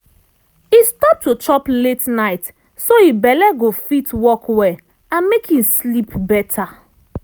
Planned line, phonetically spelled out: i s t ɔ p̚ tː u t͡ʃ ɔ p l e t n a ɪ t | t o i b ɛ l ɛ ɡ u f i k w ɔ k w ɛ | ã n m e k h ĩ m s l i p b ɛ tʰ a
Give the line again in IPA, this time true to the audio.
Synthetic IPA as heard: i s t ɔ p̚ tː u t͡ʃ ɔ p l e t n a ɪ t | s o i b ɛ l ɛ ɡ o f i t w ɔ k w ɛ | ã n m e k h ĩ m s l i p b ɛ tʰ a